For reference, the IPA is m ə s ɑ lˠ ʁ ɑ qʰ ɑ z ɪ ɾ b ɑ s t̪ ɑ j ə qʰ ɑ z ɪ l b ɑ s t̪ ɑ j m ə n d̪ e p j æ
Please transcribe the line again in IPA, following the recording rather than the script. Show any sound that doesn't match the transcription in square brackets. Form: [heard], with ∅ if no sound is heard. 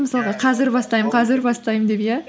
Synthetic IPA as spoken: m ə s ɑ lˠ ʁ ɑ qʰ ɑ z ɪ ɾ b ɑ s t̪ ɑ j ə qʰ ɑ z ɪ [ɾ] b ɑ s t̪ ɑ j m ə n d̪ e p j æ

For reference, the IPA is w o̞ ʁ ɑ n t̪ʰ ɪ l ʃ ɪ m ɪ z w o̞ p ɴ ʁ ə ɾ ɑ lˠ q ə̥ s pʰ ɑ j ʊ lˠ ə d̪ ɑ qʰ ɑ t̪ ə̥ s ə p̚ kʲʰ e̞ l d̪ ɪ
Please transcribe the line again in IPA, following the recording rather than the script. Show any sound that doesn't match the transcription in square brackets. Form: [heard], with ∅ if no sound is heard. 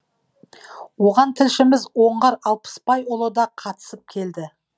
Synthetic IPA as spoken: w o̞ ʁ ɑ n t̪ʰ ɪ l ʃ ɪ m ɪ z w o̞ [∅] ɴ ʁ [ɑ] ɾ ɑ lˠ [p] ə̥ s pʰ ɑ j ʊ lˠ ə d̪ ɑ qʰ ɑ t̪ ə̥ s ə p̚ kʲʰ e̞ l d̪ ɪ

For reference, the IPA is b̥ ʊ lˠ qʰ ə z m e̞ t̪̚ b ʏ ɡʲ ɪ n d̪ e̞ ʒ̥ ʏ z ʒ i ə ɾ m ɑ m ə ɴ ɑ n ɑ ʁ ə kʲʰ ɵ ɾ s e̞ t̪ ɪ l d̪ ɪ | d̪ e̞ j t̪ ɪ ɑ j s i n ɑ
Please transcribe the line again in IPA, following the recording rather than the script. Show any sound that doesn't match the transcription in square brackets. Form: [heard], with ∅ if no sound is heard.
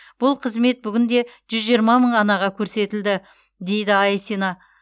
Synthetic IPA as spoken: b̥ ʊ lˠ qʰ ə z m e̞ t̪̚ b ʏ ɡʲ ɪ n d̪ e̞ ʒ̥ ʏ z ʒ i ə ɾ m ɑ m ə ɴ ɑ n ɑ ʁ [ɑ] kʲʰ ɵ ɾ s e̞ t̪ ɪ l d̪ ɪ | d̪ e̞ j [d̪] ɪ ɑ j s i n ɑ

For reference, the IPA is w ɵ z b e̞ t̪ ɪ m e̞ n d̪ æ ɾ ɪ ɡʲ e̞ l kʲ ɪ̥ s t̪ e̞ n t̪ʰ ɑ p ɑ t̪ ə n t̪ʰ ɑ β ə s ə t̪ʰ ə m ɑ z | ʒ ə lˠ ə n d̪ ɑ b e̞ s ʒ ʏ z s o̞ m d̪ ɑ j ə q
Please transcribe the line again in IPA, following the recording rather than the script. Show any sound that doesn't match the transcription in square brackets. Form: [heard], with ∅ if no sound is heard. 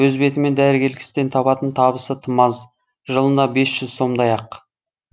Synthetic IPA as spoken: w ɵ z b e̞ t̪ ɪ m e̞ n d̪ æ ɾ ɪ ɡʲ e̞ l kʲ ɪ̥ s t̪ e̞ n t̪ʰ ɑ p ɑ t̪ ə n t̪ʰ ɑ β ə s ə t̪ʰ ə m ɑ z | ʒ ə lˠ ə n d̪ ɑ b e̞ s ʒ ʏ z s o̞ m d̪ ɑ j [ɑ] q

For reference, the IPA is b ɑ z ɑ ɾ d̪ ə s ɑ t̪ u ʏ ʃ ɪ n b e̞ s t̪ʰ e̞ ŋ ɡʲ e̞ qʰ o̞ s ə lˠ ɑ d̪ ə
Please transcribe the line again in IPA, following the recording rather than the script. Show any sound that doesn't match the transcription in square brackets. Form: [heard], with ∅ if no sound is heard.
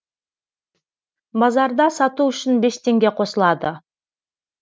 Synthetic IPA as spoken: b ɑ z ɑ ɾ d̪ [ɑ] s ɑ t̪ u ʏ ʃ ɪ n b e̞ s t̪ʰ e̞ ŋ ɡʲ e̞ qʰ o̞ s ə lˠ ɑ d̪ ə

